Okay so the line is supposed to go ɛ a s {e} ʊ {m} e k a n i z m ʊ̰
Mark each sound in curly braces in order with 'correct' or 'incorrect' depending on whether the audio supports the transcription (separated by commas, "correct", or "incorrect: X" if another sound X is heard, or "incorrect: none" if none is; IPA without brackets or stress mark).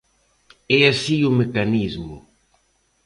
incorrect: i, correct